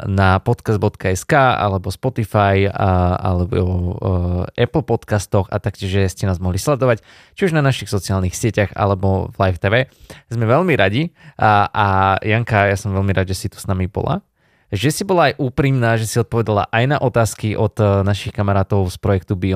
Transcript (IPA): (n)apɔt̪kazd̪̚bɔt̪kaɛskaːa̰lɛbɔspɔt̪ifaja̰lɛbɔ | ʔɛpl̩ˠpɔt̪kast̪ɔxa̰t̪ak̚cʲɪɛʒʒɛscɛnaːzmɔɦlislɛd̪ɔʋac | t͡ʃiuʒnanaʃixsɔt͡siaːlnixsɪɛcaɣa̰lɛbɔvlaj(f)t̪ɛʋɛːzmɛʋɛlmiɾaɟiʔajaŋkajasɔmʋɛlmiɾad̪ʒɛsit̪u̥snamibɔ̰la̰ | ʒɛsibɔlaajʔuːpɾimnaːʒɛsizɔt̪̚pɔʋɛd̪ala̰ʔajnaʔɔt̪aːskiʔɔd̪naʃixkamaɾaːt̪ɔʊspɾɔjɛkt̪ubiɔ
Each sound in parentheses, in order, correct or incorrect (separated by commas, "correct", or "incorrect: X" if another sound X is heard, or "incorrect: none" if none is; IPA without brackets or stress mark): correct, correct